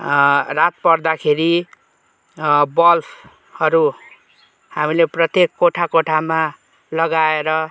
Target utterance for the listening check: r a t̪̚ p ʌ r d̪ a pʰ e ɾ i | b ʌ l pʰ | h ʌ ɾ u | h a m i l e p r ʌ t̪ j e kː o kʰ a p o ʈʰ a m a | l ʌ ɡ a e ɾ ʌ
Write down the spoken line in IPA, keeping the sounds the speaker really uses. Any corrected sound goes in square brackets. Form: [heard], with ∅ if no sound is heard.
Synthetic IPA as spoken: r a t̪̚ p ʌ r d̪ a [kʰ] e ɾ i | b ʌ l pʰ | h ʌ ɾ u | h a m i l e p r ʌ t̪ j e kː o [ʈʰ] a [k] o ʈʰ a m a | l ʌ ɡ a e ɾ ʌ